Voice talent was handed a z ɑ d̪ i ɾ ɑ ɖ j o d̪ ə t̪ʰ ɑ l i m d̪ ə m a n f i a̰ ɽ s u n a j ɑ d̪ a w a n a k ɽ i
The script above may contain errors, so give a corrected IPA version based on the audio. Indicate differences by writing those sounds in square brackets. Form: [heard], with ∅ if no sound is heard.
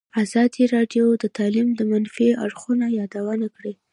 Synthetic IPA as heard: a z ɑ d̪ i ɾ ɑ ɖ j o d̪ ə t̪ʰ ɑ l i m d̪ ə m a n f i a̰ ɽ [x] u n a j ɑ d̪ a w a n a k ɽ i